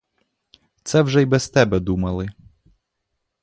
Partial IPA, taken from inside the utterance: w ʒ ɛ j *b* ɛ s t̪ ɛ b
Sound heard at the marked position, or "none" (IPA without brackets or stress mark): b